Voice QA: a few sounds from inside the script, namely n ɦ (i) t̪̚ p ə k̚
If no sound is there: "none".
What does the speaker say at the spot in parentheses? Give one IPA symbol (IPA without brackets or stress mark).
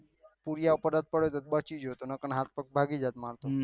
a